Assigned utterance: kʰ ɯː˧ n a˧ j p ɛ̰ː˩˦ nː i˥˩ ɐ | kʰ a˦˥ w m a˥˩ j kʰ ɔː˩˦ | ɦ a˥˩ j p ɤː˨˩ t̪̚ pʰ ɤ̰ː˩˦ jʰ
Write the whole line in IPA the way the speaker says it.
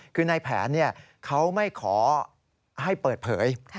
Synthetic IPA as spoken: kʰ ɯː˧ n a˧ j pʰ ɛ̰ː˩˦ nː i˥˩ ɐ | kʰ a˦˥ w m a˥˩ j kʰ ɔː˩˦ | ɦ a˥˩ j p ɤː˨˩ t̪̚ pʰ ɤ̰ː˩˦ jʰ